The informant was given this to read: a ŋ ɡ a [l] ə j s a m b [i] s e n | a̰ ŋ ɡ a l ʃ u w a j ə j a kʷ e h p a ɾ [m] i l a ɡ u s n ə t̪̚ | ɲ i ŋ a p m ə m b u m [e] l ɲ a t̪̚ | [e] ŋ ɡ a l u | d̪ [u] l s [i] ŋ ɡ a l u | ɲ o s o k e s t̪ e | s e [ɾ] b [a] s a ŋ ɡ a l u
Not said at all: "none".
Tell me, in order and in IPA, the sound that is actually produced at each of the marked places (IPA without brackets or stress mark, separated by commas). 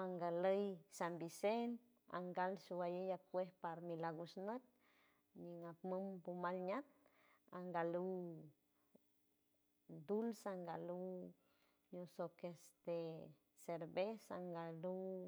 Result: l, i, m, a, a, u, a, ɾ, e